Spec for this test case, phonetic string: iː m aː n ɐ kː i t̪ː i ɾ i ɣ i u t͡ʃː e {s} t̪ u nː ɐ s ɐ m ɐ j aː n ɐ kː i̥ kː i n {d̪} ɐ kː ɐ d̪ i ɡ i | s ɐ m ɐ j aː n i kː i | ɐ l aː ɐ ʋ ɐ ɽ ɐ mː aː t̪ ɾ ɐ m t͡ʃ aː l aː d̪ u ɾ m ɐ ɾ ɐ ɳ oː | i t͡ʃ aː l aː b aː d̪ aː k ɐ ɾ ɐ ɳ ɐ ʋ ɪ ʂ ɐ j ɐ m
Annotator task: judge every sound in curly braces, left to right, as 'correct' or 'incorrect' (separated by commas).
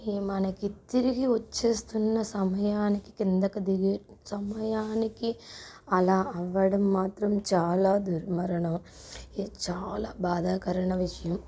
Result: correct, correct